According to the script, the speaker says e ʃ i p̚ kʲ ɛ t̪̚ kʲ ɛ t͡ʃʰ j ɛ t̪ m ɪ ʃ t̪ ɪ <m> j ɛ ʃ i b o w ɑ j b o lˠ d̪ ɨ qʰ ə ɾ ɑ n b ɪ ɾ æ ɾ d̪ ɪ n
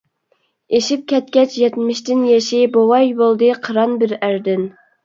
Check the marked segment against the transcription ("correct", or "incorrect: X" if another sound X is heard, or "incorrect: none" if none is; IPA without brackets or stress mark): incorrect: n